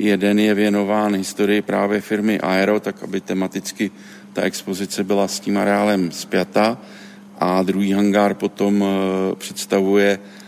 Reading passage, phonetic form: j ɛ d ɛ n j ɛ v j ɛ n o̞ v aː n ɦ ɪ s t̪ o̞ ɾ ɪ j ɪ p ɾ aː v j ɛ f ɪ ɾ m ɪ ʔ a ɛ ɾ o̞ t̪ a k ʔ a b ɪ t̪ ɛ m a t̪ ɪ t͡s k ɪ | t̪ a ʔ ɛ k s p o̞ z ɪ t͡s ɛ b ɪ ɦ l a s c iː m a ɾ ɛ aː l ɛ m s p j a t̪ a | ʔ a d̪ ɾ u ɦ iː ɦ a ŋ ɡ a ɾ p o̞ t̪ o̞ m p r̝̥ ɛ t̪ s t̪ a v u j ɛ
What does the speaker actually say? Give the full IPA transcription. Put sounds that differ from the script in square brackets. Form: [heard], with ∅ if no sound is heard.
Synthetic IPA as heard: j ɛ d ɛ n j ɛ v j ɛ n o̞ v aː n ɦ ɪ s t̪ o̞ ɾ ɪ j ɪ p ɾ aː v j ɛ f ɪ ɾ m ɪ ʔ a ɛ ɾ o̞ t̪ a k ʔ a b ɪ t̪ ɛ m a t̪ ɪ t͡s k ɪ | t̪ a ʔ ɛ k s p o̞ z ɪ t͡s ɛ b ɪ [∅] l a s c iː m a ɾ ɛ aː l ɛ m s p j a t̪ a | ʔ a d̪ ɾ u ɦ iː ɦ a ŋ ɡ a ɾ p o̞ t̪ o̞ m p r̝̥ ɛ t̪ s t̪ a v u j ɛ